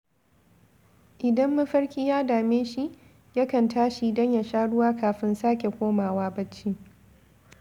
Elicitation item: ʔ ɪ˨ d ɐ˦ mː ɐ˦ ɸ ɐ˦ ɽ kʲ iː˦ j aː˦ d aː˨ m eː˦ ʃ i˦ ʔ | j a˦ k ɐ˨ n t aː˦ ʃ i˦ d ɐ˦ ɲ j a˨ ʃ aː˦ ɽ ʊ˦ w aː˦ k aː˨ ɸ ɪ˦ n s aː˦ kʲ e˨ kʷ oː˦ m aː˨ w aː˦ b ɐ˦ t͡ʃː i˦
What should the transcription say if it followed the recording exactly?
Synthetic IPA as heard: ʔ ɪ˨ d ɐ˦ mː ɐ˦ ɸ ɐ˦ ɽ kʲ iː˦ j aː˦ d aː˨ m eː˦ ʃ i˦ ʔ | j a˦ k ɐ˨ n t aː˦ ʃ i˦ d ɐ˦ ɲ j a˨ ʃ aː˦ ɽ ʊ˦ w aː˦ k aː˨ ɸ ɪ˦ n s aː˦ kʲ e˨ kʷ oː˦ m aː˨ w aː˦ b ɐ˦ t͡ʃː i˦